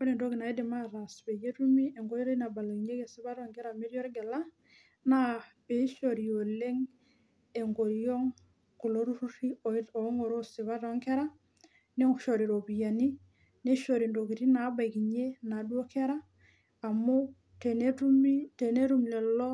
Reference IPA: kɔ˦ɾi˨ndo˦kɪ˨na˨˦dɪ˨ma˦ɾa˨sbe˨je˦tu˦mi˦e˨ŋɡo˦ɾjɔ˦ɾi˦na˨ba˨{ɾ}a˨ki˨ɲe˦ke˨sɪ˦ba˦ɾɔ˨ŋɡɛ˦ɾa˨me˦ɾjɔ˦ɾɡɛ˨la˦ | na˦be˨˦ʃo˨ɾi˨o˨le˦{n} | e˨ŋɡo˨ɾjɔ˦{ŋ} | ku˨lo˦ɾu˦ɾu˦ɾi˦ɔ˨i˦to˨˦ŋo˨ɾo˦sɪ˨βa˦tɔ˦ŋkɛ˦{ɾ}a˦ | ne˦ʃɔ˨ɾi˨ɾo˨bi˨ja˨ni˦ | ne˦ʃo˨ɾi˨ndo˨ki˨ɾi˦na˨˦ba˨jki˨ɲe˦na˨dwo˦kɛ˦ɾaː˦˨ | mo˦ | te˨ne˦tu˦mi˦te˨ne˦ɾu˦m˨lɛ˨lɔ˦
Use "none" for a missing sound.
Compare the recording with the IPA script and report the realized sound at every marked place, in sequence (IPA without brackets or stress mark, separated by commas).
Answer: l, ŋ, ŋ, ɾ